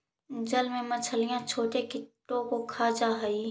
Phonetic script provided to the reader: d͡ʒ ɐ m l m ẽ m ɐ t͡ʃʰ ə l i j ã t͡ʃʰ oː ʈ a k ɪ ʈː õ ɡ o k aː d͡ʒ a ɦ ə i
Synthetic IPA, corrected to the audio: d͡ʒ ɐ l m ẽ m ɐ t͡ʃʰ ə l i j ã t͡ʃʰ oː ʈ e k ɪ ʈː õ k o kʰ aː d͡ʒ a ɦ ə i